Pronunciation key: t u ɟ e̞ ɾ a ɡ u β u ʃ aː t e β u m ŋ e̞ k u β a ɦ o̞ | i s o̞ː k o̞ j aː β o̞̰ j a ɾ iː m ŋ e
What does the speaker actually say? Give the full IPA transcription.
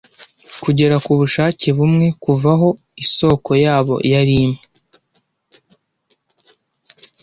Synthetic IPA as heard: k u ɟ e̞ ɾ a k u β u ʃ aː c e β u m ŋ e̞ k u v a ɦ o̞ | i s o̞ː k o̞ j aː β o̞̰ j a ɾ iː m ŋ e